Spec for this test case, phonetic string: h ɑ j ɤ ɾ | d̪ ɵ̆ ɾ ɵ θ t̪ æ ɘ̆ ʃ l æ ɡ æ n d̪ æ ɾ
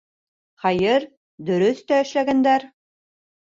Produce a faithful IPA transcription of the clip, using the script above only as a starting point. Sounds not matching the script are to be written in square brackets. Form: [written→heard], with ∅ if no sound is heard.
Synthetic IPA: [h→χ] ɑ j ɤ ɾ | d̪ ɵ̆ ɾ ɵ θ t̪ æ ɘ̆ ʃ l æ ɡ æ n d̪ æ ɾ

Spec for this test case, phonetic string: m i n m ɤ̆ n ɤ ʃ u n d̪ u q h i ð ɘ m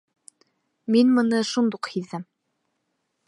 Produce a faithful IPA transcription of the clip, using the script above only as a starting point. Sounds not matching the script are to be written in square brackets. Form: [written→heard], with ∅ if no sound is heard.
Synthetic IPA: m i n m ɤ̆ n ɤ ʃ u n d̪ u q h i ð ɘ m

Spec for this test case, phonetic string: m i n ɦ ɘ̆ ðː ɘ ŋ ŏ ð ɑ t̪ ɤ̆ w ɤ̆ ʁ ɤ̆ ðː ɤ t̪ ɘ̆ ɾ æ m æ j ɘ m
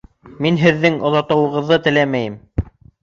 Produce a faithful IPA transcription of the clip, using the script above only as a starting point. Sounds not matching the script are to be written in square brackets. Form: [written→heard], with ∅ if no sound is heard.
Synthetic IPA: m i n ɦ ɘ̆ ðː ɘ ŋ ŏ ð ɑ t̪ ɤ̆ w ɤ̆ ʁ ɤ̆ ðː ɤ t̪ ɘ̆ [ɾ→l] æ m æ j ɘ m

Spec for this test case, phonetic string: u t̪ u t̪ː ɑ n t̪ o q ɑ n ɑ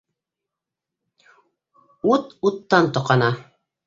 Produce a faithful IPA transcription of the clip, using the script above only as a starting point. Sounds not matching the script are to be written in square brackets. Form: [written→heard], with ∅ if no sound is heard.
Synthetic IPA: u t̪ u t̪ː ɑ n t̪ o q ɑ n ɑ

